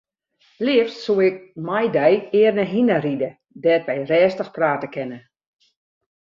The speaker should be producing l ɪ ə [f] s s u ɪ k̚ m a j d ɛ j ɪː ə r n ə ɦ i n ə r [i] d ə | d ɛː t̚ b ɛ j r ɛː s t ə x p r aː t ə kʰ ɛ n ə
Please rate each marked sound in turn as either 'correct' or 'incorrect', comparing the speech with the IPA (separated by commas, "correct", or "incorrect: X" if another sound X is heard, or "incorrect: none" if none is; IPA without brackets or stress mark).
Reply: correct, correct